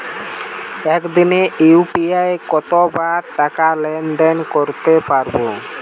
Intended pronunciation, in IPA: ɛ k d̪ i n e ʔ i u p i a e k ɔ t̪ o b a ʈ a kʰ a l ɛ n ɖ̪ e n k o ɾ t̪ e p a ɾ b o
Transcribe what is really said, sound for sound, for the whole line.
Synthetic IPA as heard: ɛ k d̪ i n e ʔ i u p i a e k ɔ t̪ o b a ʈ a k a l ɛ n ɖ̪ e n k o ɾ t̪ e p a ɾ b o